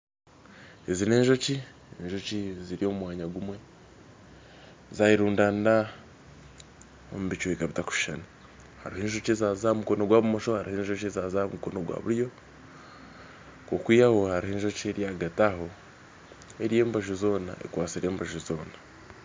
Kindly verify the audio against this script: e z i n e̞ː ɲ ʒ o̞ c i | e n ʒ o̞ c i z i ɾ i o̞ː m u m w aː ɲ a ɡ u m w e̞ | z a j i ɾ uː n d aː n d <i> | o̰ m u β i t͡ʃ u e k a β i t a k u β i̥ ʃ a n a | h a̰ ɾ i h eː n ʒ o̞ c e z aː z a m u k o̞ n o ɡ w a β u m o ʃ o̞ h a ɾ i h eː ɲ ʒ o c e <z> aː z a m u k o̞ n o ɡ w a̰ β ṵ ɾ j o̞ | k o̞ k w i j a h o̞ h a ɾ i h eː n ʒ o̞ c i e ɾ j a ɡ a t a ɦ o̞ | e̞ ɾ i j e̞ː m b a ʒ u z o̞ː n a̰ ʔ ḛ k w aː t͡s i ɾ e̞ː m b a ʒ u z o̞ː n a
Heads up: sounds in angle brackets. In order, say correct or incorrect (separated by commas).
incorrect, correct